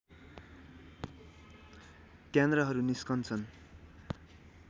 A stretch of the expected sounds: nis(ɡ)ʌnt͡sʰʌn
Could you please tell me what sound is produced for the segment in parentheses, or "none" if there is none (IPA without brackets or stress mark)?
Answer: k